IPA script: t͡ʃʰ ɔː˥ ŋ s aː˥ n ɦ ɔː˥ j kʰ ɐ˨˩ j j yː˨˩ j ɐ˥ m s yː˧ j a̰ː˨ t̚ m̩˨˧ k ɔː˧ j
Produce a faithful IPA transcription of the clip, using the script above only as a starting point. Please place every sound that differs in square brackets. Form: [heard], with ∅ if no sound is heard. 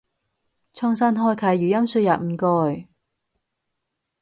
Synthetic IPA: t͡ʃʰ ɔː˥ ŋ s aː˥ n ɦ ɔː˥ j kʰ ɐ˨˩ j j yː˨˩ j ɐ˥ m s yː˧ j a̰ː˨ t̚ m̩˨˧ k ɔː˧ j